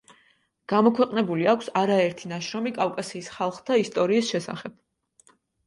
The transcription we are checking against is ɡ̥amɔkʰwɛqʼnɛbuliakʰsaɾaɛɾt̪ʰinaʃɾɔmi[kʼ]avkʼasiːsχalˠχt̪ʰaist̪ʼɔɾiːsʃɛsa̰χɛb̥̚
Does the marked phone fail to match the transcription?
no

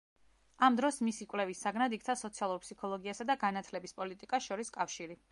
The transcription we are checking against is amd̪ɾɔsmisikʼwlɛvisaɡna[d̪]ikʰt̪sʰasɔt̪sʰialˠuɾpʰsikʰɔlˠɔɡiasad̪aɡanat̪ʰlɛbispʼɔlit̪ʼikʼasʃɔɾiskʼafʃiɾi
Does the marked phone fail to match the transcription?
no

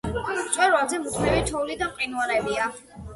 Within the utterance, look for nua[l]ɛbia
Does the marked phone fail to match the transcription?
yes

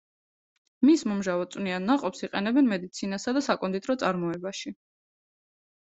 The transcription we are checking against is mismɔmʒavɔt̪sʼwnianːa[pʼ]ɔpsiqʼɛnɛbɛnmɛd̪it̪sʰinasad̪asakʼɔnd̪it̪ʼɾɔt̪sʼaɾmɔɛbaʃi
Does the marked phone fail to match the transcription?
yes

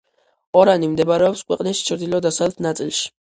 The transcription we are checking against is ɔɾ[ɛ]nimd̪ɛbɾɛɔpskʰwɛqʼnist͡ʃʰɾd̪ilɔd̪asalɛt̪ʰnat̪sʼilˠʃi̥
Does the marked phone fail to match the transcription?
yes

